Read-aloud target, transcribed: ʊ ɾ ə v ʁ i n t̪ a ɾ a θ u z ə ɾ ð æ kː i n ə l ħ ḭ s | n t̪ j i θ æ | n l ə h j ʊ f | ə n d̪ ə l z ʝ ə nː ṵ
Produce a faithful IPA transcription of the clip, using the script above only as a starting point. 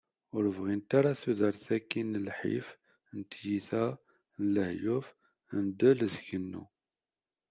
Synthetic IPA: ʊ ɾ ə v ʁ i n t̪ a ɾ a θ u ð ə ɾ θ æ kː i n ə l ħ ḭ f | n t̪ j i θ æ | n l ə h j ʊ f | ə n d̪ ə l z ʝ ə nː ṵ